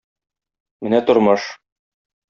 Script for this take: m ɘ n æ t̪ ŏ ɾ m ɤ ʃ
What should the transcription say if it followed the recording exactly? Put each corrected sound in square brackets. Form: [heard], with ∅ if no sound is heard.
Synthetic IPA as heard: m ɘ n æ t̪ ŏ ɾ m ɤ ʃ

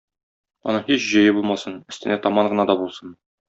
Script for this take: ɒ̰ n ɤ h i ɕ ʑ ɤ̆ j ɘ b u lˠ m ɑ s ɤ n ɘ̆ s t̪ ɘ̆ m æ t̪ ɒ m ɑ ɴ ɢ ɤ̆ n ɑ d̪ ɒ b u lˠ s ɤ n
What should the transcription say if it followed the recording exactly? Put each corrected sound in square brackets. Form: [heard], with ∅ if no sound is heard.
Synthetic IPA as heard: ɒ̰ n ɤ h i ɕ ʑ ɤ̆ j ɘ b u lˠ m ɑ s ɤ n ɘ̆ s t̪ ɘ̆ [n] æ t̪ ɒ m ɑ ɴ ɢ ɤ̆ n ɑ d̪ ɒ b u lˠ s ɤ n

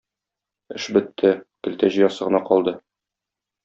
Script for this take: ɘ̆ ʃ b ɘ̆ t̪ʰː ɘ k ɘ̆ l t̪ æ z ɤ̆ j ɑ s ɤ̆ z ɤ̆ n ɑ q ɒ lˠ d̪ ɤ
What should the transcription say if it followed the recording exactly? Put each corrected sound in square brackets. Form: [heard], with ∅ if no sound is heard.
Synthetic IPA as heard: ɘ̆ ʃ b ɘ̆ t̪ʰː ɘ k ɘ̆ l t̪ æ [ʑ] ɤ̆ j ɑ s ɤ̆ [ʁ] ɤ̆ n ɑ q ɒ lˠ d̪ ɤ

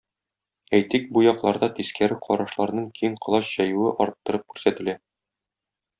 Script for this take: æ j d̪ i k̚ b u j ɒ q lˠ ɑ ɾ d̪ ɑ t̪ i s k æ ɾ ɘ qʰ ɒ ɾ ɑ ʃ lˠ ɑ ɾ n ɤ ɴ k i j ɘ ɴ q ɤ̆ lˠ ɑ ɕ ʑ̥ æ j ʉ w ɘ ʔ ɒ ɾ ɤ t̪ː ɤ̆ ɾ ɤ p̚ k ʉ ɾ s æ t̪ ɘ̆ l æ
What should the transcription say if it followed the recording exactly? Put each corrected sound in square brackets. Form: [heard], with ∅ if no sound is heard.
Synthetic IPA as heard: æ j [t̪] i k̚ b u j ɒ q lˠ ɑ ɾ d̪ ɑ t̪ i s k æ ɾ ɘ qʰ ɒ ɾ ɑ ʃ lˠ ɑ ɾ n ɤ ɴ k i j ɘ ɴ q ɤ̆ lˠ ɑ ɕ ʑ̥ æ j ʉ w ɘ ʔ ɒ ɾ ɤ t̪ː ɤ̆ ɾ ɤ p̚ k ʉ ɾ s æ t̪ ɘ̆ l æ

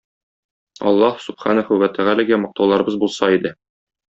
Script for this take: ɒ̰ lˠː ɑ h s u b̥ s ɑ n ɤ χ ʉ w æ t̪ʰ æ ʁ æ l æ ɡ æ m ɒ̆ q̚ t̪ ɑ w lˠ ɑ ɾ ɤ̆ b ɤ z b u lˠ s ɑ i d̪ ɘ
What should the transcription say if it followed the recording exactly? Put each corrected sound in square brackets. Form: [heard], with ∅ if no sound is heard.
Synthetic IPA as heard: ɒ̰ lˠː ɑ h s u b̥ [χ] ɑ n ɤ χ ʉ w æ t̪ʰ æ ʁ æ l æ ɡ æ m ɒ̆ q̚ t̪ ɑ w lˠ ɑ ɾ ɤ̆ b ɤ z b u lˠ s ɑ i d̪ ɘ

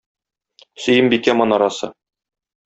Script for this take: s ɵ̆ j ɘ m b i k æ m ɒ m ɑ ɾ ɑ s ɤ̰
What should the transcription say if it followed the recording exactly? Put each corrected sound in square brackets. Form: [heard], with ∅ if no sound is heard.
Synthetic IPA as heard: s ɵ̆ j ɘ m b i k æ m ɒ [n] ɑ ɾ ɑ s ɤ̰

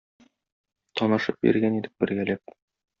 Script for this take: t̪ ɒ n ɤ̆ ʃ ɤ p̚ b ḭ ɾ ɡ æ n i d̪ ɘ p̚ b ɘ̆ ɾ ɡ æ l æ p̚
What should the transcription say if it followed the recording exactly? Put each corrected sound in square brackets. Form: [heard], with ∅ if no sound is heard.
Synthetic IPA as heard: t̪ ɒ n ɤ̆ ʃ ɤ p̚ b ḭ ɾ ɡ æ n i d̪ ɘ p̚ b ɘ̆ ɾ ɡ æ l æ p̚

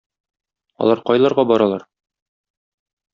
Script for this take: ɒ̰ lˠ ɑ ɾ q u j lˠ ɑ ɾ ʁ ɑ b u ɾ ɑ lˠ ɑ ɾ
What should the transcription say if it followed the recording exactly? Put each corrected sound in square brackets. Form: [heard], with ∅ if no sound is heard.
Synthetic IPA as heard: ɒ̰ lˠ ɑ ɾ q [ɒ] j lˠ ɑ ɾ ʁ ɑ b [ɒ] ɾ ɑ lˠ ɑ ɾ

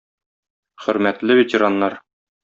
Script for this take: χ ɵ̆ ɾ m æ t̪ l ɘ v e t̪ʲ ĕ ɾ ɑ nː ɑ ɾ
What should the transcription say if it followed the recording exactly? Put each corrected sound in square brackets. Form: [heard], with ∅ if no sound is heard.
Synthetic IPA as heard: χ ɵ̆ ɾ m æ t̪ l ɘ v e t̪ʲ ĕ ɾ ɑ nː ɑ ɾ

